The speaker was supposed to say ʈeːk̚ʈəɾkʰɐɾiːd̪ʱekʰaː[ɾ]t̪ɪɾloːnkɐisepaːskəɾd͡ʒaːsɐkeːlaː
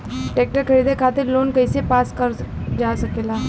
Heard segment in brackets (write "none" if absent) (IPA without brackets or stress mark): none